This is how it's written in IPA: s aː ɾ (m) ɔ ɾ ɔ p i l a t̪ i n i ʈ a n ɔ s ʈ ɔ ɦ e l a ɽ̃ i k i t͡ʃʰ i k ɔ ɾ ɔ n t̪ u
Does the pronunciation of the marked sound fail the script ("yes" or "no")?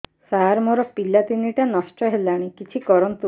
no